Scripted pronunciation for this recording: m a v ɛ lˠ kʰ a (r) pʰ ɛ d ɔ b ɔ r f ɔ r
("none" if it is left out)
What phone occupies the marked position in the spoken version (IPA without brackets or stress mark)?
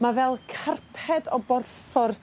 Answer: r